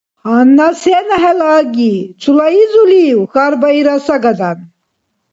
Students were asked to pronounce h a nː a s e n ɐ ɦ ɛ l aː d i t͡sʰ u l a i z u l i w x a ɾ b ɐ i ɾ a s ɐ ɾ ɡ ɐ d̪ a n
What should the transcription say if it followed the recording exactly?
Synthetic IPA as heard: h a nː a s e n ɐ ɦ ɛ l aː ɡ i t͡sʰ u l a i z u l i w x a ɾ b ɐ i ɾ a s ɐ ɡ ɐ d̪ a n